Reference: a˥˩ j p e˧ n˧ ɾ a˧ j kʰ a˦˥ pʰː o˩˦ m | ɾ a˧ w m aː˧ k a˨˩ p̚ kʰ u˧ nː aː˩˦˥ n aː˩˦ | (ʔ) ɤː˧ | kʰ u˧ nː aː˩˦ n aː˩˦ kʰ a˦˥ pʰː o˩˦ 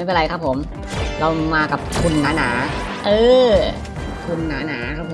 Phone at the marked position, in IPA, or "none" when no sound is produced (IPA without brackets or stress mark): ʔ